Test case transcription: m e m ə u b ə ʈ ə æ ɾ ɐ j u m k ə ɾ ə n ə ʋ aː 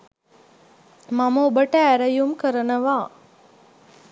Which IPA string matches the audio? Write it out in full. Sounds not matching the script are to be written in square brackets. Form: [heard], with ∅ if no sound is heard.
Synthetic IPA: m [a] m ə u b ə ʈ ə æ ɾ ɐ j u m k ə ɾ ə n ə ʋ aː

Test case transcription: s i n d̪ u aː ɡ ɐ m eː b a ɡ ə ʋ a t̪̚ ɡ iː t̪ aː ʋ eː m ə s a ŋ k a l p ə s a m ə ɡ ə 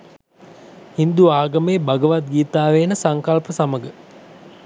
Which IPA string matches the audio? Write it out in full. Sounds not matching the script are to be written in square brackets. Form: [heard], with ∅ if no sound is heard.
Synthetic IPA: [h] i n d̪ u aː ɡ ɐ m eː b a ɡ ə ʋ a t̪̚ ɡ iː t̪ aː ʋ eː [n] ə s a ŋ k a l p ə s a m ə ɡ ə

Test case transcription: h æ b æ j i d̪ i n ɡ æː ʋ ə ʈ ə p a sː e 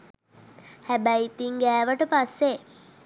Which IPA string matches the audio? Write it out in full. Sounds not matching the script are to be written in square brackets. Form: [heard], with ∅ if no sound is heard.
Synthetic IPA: h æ b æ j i [t̪] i [ŋ] ɡ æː ʋ ə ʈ ə p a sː e

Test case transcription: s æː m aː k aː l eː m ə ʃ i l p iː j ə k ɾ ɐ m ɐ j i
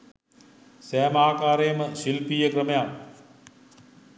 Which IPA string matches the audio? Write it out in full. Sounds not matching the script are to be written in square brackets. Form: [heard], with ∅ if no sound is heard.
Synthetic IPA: s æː m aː k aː [ɾ] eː m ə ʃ i l p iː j ə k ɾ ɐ m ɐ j [a]

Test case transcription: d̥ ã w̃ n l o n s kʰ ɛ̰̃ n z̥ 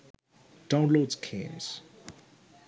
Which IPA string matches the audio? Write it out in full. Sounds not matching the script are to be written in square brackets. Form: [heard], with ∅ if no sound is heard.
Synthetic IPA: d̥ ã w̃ n l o [d] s kʰ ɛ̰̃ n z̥

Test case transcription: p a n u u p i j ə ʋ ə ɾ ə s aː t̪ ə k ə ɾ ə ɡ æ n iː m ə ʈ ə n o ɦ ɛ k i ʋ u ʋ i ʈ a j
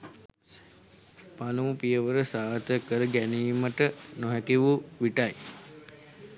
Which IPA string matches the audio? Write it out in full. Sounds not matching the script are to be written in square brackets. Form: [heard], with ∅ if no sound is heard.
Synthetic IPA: p a n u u p i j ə ʋ ə ɾ ə s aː t̪ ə k ə ɾ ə ɡ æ n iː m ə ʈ ə n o ɦ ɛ k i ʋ u ʋ i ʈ a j

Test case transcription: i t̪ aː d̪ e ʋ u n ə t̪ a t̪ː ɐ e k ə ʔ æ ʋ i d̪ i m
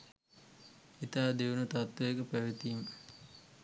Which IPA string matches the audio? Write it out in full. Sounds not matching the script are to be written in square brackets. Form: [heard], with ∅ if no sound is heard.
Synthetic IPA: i t̪ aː d̪ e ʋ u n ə t̪ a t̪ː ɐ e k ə [p] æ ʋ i [t̪] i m

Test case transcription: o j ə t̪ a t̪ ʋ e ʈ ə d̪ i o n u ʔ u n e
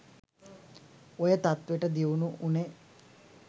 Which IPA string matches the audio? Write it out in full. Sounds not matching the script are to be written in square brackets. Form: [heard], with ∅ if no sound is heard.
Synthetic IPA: o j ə t̪ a t̪ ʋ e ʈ ə d̪ i [u] n u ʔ u n e

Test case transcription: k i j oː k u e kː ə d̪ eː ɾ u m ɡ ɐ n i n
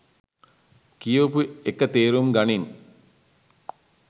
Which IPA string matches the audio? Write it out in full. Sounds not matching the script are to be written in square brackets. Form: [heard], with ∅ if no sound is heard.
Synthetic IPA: k i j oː [p] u e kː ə [t̪] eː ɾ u m ɡ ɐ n i n

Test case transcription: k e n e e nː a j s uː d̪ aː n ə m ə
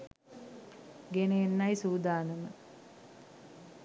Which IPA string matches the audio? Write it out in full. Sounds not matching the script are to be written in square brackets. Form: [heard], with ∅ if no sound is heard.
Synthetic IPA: [ɡ] e n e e nː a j s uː d̪ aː n ə m ə

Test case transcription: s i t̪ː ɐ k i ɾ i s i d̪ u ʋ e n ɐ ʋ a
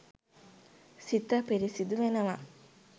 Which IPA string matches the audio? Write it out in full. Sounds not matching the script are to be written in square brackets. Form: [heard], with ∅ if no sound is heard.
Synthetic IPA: s i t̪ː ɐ [p] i ɾ i s i d̪ u ʋ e n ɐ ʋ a

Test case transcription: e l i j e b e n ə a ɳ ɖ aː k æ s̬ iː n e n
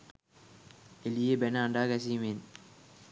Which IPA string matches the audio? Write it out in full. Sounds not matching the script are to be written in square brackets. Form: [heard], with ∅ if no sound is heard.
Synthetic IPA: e l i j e b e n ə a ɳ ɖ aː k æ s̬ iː [m] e n

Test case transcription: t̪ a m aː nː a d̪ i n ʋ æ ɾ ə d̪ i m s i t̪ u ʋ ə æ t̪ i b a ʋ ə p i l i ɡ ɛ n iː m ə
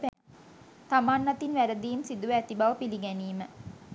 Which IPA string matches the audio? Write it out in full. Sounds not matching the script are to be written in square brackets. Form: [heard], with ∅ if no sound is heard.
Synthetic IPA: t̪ a m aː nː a [t̪] i n ʋ æ ɾ ə d̪ [iː] m s i [d̪] u ʋ ə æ t̪ i b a ʋ ə p i l i ɡ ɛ n iː m ə

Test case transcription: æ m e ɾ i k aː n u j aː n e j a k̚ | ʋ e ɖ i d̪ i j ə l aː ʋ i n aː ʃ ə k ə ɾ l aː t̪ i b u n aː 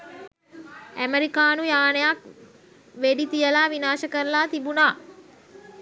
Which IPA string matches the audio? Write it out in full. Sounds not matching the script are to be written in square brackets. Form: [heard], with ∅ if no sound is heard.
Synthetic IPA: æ m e ɾ i k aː n u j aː n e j a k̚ | ʋ e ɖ i [t̪] i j ə l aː ʋ i n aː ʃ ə k ə ɾ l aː t̪ i b u n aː

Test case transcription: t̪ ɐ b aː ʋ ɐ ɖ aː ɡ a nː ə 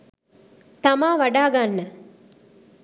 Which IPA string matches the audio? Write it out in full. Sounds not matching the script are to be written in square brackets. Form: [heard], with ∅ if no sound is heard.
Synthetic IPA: t̪ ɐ [m] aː ʋ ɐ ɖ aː ɡ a nː ə

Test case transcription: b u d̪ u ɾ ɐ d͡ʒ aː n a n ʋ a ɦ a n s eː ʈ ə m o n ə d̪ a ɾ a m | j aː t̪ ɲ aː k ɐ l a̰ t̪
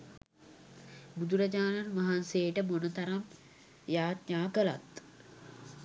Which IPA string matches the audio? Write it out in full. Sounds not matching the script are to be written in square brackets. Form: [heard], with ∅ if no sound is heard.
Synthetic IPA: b u d̪ u ɾ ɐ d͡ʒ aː n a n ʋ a ɦ a n s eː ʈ ə m o n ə [t̪] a ɾ a m | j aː t̪ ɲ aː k [ə] l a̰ t̪

